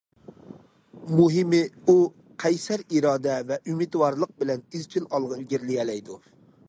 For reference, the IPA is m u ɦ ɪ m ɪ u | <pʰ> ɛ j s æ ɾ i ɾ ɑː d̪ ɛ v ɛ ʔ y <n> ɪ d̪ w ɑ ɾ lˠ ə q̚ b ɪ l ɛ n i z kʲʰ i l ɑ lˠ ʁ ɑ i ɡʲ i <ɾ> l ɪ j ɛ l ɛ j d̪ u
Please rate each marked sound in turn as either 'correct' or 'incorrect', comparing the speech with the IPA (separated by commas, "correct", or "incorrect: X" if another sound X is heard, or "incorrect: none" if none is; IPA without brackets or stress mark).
incorrect: qʰ, incorrect: m, correct